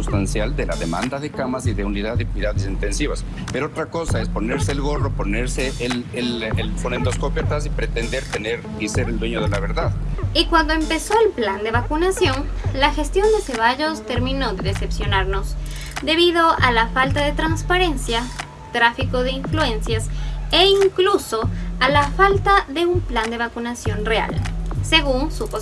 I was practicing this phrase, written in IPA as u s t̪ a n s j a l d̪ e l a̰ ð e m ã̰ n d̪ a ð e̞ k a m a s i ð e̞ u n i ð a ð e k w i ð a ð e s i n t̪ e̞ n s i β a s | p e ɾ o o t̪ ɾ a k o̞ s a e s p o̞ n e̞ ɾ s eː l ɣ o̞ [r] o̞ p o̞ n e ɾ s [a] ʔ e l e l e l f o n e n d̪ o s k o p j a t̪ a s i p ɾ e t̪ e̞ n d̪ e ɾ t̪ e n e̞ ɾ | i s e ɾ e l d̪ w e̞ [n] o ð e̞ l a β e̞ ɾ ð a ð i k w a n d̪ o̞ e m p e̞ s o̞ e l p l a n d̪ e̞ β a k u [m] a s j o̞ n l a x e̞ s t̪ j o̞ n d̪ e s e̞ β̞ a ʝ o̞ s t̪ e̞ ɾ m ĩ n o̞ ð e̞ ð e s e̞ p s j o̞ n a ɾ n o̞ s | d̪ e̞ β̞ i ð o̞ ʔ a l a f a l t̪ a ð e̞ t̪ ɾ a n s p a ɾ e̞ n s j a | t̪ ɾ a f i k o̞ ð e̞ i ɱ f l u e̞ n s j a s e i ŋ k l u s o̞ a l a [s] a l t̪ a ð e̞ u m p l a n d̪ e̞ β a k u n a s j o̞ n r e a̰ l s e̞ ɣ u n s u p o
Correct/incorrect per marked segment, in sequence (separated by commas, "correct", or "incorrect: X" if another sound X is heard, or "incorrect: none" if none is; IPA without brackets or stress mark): correct, incorrect: e, incorrect: ɲ, incorrect: n, incorrect: f